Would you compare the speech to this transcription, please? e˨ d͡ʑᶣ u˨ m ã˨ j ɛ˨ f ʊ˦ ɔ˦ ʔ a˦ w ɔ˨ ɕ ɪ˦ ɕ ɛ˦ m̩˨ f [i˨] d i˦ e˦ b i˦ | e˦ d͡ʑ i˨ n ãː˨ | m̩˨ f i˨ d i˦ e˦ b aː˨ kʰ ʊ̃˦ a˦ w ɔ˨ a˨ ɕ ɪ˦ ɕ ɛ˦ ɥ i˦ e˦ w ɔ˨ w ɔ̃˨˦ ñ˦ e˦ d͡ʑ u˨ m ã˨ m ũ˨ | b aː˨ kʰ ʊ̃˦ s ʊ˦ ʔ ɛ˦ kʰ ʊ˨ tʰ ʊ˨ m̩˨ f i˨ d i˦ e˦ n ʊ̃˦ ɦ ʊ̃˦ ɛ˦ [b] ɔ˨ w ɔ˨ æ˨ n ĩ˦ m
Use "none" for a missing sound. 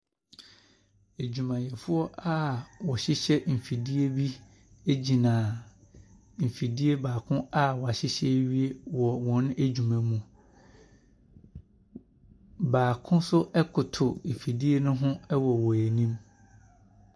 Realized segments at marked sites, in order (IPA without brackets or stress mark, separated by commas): i˨, w